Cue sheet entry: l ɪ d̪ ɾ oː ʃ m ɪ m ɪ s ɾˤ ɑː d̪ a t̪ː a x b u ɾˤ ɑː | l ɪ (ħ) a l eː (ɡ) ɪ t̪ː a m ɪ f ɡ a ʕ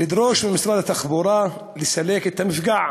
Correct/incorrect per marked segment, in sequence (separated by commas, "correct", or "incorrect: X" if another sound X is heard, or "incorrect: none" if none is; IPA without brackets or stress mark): incorrect: s, incorrect: k